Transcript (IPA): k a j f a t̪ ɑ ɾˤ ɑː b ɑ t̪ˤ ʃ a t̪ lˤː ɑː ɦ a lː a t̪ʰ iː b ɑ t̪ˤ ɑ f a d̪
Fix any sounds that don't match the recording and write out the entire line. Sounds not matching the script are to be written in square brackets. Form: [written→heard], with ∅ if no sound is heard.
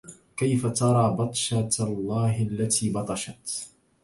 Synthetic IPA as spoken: k a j f a t̪ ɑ ɾˤ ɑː b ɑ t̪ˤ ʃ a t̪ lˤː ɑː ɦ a lː a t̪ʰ iː b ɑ t̪ˤ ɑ [f→ʃ] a [d̪→t̪]